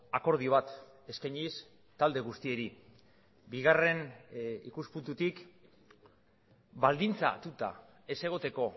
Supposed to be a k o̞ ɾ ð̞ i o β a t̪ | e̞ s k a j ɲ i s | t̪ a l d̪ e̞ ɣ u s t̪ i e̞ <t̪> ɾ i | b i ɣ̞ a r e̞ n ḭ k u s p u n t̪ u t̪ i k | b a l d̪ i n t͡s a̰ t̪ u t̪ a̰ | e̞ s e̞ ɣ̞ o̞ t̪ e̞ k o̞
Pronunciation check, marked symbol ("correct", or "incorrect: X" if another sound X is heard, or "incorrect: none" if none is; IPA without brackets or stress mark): incorrect: none